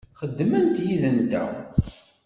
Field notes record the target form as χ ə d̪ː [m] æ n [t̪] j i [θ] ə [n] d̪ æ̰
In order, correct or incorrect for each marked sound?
correct, correct, incorrect, correct

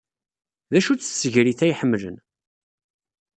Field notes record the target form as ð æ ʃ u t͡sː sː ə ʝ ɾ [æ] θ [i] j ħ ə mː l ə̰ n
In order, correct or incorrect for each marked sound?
incorrect, incorrect

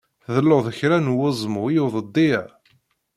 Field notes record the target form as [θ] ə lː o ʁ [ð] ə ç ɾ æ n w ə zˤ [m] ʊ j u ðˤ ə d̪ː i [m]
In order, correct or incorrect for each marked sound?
incorrect, correct, correct, incorrect

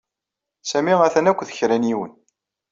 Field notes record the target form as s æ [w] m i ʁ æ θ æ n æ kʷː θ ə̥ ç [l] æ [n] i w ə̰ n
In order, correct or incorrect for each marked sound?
incorrect, incorrect, correct

